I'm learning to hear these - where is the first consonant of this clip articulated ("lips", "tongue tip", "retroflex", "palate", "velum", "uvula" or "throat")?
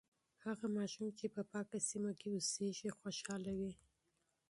throat